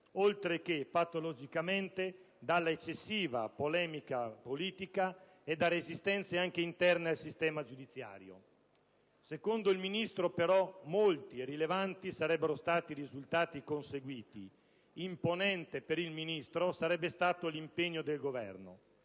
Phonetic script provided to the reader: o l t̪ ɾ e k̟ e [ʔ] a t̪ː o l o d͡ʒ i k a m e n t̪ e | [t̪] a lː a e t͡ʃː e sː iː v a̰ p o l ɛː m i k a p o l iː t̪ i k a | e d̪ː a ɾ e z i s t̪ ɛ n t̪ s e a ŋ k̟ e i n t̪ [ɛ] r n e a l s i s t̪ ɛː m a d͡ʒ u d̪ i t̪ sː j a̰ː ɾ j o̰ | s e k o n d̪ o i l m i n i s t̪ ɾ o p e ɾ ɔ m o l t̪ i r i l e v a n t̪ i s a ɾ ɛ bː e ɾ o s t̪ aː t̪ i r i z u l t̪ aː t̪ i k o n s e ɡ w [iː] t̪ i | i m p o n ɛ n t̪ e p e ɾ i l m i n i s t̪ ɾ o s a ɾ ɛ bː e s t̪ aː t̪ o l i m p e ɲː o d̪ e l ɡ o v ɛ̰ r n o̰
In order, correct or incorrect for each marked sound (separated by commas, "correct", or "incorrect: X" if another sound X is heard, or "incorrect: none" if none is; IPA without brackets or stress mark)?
incorrect: p, incorrect: d̪, correct, correct